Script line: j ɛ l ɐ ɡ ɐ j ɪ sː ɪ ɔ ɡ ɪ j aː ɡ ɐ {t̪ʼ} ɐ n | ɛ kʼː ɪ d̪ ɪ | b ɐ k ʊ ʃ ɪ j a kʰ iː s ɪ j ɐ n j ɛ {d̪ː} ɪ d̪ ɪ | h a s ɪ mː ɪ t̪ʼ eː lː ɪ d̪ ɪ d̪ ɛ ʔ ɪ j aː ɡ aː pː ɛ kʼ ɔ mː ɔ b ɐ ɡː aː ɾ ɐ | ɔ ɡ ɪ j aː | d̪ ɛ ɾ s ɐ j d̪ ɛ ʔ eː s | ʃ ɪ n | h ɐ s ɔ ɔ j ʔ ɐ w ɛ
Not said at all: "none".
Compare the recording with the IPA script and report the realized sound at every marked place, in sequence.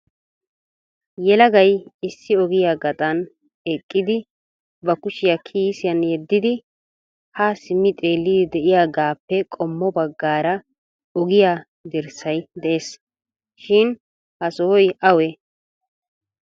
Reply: t̪ʼ, d̪ː

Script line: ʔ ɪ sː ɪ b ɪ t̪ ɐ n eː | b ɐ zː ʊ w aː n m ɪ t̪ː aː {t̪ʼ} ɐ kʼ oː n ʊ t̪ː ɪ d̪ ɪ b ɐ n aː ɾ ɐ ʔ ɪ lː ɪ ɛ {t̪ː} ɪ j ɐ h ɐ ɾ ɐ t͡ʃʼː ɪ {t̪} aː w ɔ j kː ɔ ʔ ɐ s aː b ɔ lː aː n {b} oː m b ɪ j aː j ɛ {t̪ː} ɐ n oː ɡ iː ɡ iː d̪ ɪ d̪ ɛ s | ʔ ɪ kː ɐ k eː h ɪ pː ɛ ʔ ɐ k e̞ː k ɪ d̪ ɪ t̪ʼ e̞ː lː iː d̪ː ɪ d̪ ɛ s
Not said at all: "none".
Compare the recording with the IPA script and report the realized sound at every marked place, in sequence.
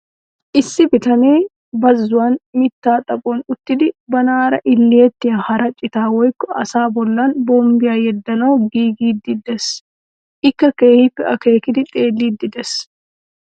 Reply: t̪ʼ, t̪ː, t̪, b, d̪ː

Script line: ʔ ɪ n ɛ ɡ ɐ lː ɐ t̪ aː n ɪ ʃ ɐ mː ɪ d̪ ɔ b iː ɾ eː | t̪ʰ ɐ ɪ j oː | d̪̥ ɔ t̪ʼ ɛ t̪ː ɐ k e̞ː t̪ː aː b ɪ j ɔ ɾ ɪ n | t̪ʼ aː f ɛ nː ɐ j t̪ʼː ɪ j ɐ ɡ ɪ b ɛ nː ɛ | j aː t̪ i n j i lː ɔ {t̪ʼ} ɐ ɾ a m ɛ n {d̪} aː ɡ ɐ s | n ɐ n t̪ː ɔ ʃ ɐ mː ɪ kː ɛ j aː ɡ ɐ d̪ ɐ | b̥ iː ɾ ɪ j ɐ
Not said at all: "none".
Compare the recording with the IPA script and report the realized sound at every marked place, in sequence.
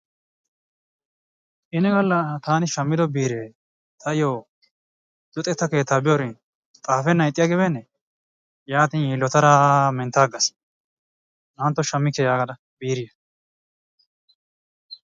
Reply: t̪, t̪

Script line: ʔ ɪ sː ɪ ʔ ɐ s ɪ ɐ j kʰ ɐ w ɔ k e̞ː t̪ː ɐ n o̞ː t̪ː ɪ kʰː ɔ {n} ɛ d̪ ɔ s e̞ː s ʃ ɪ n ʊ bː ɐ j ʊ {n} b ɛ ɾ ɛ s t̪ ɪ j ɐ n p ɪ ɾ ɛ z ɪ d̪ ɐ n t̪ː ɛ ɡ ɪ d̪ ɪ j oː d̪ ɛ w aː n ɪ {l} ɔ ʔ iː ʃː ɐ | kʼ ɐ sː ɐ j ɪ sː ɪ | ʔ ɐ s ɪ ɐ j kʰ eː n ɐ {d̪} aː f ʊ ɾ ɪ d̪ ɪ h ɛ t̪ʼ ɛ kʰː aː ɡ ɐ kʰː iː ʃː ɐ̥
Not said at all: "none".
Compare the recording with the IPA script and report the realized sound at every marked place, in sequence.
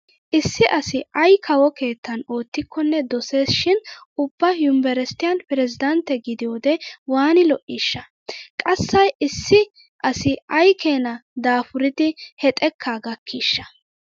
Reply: nː, m, l, d̪

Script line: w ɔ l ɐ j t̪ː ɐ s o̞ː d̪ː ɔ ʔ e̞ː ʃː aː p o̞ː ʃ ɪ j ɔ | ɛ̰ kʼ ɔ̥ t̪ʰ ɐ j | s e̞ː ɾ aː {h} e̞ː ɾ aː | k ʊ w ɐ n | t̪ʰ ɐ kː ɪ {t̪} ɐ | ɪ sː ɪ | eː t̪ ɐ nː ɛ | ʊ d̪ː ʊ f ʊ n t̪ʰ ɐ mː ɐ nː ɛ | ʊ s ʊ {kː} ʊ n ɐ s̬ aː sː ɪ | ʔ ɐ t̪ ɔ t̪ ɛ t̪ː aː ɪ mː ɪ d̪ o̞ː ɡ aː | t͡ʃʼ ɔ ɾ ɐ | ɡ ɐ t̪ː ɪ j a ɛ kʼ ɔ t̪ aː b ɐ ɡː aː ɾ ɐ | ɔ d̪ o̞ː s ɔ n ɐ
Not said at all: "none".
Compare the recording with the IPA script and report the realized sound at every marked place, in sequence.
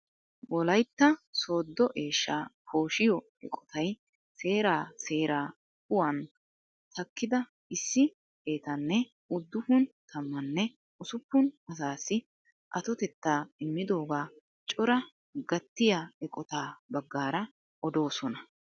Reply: s, d̪, pː

